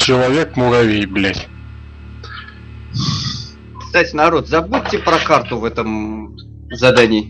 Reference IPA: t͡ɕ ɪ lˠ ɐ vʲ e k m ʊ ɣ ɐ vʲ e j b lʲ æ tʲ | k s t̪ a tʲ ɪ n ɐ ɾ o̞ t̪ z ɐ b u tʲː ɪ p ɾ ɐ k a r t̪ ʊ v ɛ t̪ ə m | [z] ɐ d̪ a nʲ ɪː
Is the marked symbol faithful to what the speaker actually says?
yes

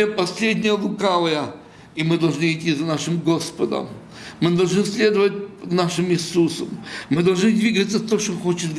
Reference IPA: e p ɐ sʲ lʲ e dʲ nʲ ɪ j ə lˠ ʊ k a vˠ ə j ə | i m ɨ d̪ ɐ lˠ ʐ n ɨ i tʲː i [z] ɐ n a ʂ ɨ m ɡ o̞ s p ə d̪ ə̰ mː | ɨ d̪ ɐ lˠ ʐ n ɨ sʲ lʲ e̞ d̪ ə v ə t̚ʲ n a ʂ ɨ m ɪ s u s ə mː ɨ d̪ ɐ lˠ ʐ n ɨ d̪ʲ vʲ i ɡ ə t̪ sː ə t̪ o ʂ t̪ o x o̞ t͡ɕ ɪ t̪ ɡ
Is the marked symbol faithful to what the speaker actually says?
yes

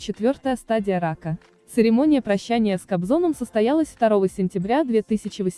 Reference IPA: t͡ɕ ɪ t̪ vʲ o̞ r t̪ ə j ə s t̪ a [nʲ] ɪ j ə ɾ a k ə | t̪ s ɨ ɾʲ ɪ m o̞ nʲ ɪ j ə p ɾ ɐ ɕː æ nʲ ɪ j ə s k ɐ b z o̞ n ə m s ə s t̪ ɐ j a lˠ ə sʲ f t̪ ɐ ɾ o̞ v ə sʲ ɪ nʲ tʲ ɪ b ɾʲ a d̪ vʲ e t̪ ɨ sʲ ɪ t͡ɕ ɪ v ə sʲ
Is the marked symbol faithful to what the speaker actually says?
no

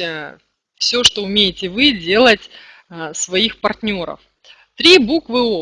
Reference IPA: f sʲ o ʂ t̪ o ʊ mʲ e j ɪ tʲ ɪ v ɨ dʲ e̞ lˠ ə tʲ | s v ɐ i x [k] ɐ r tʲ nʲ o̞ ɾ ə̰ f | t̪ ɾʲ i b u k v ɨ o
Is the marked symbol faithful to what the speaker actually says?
no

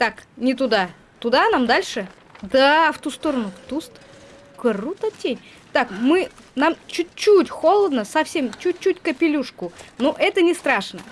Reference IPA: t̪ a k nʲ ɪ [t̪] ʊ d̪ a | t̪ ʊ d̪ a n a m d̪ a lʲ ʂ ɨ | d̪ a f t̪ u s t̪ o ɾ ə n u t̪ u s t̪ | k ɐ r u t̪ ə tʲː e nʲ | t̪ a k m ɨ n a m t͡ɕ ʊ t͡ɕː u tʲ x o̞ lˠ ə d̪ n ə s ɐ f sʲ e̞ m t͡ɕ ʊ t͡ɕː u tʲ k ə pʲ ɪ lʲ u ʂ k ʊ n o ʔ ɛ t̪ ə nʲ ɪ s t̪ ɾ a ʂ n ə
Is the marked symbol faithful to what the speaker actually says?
yes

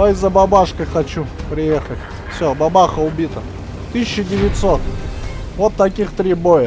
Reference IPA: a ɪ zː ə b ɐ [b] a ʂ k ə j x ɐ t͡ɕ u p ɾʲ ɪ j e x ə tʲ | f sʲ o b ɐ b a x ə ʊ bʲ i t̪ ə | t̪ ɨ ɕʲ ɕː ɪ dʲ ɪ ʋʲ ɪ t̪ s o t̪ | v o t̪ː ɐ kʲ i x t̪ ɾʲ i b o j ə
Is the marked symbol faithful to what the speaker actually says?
yes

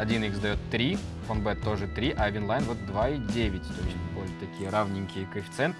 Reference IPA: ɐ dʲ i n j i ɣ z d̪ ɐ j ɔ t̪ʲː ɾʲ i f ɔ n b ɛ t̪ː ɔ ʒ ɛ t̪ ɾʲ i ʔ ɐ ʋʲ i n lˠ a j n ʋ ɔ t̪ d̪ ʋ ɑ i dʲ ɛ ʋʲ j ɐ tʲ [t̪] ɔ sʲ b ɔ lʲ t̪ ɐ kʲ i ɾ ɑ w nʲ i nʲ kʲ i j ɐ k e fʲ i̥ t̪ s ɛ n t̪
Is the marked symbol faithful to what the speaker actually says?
yes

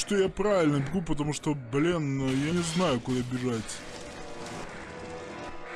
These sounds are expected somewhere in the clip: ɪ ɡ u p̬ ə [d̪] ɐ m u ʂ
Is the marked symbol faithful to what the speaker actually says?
no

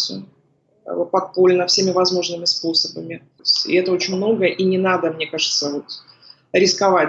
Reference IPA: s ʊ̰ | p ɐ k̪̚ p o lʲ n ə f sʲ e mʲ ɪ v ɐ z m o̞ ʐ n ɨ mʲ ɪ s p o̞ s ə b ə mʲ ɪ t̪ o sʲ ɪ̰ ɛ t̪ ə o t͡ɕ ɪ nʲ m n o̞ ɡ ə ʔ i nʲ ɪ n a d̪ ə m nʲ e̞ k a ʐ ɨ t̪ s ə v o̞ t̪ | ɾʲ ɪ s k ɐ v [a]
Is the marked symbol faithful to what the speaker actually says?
yes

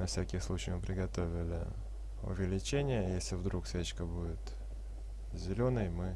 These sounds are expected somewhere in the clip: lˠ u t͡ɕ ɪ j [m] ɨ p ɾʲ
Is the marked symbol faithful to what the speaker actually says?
yes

